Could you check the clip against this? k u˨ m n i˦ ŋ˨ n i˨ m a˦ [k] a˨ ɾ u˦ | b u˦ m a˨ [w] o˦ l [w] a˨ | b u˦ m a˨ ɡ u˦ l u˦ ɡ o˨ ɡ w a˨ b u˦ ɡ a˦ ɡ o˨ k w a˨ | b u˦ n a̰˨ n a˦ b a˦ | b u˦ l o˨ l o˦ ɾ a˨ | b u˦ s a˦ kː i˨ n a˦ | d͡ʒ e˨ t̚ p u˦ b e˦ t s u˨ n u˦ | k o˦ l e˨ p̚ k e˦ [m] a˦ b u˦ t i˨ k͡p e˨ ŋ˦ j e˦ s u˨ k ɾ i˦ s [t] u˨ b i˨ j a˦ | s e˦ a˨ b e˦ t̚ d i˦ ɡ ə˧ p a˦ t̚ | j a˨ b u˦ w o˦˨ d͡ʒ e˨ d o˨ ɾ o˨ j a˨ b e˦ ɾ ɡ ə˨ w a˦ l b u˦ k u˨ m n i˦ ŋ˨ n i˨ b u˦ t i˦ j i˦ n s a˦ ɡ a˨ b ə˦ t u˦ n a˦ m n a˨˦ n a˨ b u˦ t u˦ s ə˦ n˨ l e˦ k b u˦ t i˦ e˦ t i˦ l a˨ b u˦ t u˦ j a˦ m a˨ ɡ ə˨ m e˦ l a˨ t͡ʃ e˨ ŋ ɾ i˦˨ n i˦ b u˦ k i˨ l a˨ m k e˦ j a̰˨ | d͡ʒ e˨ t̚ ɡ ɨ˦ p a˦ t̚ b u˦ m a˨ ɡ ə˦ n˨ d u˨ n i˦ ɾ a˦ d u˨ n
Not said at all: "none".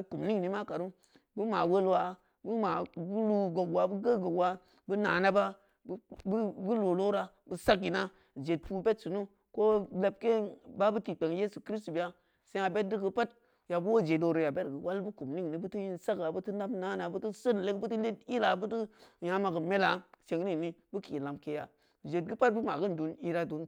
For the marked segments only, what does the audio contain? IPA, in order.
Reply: k, w, w, b, t

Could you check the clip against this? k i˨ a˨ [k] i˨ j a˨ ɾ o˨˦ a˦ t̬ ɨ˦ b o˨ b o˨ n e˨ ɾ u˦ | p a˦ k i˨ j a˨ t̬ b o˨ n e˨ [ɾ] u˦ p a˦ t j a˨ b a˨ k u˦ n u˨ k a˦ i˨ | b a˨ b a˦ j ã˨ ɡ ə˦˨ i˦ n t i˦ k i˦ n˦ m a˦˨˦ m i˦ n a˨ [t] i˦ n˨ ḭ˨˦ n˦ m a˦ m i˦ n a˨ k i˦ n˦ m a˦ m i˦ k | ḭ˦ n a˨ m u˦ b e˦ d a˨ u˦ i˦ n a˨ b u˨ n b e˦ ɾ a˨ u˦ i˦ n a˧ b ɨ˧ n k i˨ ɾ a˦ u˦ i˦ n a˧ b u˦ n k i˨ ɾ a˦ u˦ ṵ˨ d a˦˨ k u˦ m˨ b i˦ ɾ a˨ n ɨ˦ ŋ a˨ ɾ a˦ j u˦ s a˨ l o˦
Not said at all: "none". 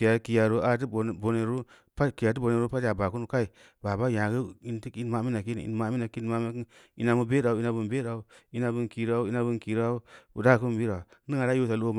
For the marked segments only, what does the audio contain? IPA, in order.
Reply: k, ɾ, k

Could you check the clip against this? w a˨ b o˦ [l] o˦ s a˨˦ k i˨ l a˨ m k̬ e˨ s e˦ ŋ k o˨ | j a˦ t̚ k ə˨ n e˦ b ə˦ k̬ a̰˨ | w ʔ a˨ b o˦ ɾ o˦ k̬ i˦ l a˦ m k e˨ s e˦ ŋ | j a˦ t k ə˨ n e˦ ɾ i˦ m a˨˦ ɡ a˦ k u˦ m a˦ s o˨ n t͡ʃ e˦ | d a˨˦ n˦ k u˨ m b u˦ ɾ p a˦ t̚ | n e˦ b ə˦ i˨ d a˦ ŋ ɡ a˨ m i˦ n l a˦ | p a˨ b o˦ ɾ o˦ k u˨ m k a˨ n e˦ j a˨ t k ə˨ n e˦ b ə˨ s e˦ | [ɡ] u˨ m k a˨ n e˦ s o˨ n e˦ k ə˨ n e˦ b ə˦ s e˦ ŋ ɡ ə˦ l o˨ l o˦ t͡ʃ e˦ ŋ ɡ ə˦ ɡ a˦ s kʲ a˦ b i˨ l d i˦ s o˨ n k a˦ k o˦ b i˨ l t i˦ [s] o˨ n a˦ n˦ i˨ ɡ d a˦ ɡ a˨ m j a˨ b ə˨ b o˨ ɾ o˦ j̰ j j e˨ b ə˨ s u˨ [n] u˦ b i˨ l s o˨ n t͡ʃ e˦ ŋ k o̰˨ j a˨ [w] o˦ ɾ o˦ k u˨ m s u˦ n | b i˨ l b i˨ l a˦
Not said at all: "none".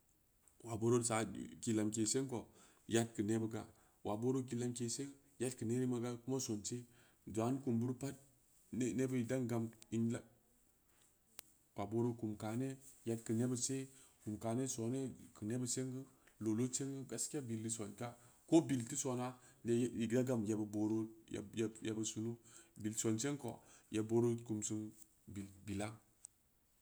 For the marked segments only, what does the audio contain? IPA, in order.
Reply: ɾ, k, s, n, b

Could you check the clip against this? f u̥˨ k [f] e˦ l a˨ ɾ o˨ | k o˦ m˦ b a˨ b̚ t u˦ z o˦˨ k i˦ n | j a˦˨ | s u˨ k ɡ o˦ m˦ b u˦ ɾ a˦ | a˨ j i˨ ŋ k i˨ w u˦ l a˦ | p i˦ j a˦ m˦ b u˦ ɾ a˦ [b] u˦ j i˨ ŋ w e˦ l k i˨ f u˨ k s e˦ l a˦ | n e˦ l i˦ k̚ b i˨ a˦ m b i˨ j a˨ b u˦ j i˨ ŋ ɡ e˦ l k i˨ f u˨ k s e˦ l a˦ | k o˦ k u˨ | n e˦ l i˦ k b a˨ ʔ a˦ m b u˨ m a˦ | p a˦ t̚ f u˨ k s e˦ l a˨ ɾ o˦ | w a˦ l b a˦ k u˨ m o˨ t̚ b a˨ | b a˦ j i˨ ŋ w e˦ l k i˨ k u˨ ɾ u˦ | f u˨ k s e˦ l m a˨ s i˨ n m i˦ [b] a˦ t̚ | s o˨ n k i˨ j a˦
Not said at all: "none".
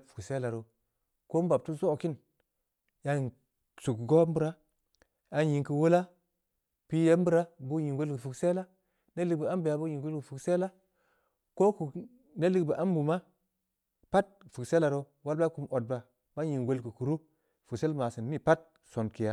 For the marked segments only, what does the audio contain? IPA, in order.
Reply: s, b, p

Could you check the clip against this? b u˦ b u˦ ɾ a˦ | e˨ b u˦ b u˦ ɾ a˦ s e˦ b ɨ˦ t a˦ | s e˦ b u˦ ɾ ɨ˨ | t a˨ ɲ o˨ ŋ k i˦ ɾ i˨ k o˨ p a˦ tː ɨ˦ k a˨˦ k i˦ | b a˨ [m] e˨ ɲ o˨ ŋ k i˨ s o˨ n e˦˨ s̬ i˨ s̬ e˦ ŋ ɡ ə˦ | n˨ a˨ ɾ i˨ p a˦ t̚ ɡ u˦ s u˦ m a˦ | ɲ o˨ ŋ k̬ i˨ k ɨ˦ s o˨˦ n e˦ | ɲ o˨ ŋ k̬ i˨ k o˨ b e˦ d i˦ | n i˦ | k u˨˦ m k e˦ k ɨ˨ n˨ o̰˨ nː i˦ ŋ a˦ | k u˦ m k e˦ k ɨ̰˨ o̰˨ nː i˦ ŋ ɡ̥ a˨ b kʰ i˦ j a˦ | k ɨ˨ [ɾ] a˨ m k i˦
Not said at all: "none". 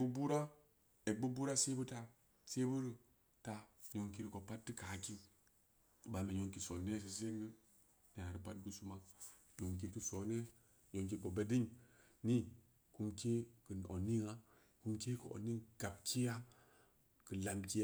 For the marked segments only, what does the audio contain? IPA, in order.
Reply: m, l

